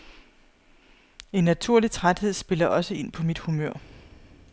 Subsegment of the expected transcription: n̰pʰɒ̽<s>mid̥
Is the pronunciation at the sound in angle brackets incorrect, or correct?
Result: incorrect